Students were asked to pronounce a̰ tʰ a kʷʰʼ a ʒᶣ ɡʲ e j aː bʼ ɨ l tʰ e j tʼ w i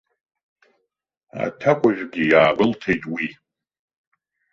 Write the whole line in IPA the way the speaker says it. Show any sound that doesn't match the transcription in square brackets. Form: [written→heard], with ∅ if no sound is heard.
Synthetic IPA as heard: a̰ tʰ a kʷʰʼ a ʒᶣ ɡʲ [e→i] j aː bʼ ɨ l tʰ e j tʼ w i